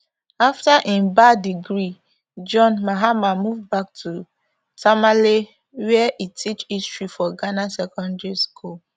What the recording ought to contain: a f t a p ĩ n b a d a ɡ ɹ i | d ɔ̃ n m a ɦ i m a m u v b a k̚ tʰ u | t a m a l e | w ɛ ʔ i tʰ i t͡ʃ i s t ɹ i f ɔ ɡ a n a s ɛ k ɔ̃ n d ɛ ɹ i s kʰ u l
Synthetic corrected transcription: a f t a ʔ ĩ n b a d i ɡ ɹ i | d͡ʒ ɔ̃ n m a ɦ a m a m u v b a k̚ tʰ u | t a m a l e | w ɛ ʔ i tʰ i t͡ʃ i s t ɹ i f ɔ ɡ a n a s ɛ k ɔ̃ n d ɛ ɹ i s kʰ u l